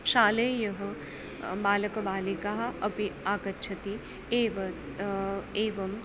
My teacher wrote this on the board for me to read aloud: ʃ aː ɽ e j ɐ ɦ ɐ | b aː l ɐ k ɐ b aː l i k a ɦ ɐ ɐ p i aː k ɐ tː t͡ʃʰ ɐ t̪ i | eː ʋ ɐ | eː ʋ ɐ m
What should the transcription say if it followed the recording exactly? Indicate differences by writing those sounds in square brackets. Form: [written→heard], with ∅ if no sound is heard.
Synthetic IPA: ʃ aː [ɽ→l] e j ɐ ɦ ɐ | b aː l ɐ k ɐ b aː l i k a ɦ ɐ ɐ p i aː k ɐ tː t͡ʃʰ ɐ t̪ i | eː ʋ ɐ | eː ʋ ɐ m